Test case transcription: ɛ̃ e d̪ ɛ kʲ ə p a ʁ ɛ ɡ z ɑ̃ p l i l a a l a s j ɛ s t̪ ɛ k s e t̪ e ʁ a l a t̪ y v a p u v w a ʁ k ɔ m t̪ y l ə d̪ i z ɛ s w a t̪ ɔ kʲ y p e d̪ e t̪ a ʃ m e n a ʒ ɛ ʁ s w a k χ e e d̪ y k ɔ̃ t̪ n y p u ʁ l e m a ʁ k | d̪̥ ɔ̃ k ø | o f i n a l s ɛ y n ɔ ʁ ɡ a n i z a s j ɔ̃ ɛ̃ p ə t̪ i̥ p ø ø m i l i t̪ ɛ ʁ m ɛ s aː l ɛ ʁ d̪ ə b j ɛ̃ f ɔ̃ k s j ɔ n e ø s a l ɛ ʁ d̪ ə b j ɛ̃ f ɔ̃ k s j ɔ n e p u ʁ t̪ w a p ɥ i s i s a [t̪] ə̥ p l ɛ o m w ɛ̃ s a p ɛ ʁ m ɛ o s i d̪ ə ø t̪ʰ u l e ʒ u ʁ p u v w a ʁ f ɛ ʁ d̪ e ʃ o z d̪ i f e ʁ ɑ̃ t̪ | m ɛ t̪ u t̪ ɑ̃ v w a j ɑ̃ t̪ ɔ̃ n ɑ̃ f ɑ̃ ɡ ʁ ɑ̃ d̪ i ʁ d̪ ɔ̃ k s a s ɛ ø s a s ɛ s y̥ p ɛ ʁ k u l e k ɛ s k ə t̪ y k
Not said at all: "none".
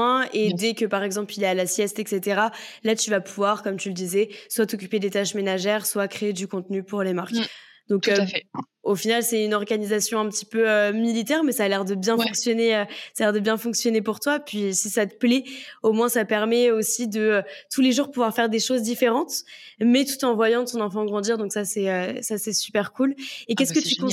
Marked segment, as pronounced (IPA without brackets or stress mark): t̪